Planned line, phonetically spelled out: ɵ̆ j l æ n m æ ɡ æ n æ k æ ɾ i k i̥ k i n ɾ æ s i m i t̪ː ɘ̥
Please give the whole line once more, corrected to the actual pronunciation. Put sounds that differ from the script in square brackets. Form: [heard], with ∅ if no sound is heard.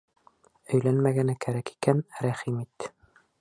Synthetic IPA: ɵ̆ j l æ n m æ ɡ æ n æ k æ ɾ [æ] k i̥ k [æ] n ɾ æ [χ] i m i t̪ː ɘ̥